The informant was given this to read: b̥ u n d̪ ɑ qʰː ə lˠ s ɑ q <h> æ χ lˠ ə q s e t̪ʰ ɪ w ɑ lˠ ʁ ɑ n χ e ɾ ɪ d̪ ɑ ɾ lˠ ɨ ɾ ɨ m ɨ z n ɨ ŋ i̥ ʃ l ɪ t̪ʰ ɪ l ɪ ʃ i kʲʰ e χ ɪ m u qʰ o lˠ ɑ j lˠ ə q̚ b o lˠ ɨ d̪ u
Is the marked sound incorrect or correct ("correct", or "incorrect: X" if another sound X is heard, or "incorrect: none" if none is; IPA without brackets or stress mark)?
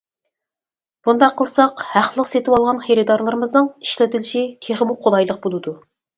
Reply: correct